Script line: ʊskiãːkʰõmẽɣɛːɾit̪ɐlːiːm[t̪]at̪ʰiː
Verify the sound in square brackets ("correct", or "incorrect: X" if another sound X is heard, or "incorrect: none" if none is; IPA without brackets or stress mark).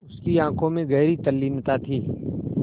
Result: correct